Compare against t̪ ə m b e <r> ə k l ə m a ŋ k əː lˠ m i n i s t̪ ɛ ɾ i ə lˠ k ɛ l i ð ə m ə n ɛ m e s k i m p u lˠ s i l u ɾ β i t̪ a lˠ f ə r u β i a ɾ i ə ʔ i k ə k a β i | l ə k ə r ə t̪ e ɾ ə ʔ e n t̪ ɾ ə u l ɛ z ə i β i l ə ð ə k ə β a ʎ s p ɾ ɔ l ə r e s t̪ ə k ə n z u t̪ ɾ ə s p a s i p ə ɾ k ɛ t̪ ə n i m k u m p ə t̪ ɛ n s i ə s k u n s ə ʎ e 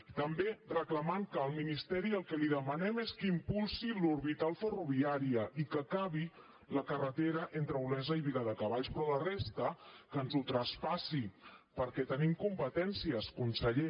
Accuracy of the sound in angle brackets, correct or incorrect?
correct